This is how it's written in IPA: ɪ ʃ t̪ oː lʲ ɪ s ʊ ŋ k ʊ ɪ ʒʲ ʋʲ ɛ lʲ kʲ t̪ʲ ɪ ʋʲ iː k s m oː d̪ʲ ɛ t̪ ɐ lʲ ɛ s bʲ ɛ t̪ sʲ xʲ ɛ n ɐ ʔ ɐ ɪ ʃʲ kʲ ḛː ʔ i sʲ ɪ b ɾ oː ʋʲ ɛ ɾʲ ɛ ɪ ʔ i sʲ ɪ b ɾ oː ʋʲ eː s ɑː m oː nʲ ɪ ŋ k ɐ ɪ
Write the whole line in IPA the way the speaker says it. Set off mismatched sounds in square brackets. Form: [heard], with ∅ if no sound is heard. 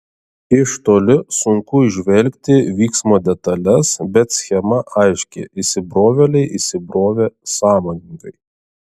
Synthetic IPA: ɪ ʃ t̪ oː lʲ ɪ s ʊ ŋ k ʊ ɪ ʒʲ ʋʲ ɛ lʲ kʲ t̪ʲ ɪ ʋʲ iː k s m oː d̪ʲ ɛ t̪ ɐ lʲ ɛ s bʲ ɛ t̪ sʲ xʲ ɛ [m] ɐ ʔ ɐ ɪ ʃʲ kʲ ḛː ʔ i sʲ ɪ b ɾ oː ʋʲ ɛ [lʲ] ɛ ɪ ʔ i sʲ ɪ b ɾ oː ʋʲ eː s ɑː m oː nʲ ɪ ŋ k ɐ ɪ